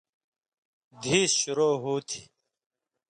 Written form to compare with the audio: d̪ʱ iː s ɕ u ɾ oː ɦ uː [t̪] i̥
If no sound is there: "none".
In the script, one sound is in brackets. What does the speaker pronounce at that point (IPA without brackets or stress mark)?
t̪ʰ